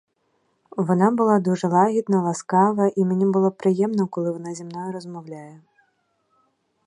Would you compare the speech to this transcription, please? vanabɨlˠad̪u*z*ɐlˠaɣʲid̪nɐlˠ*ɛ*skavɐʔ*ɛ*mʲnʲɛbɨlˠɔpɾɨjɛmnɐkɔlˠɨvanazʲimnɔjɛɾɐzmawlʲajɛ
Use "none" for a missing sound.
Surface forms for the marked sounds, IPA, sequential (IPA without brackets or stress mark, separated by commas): ʐ, a, i